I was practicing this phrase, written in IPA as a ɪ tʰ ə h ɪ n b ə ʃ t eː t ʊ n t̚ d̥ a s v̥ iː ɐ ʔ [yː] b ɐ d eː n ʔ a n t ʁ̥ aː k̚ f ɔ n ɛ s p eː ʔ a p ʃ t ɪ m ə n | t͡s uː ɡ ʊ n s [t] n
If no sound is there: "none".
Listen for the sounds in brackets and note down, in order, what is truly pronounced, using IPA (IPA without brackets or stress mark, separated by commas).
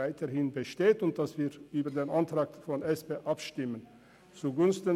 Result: yː, t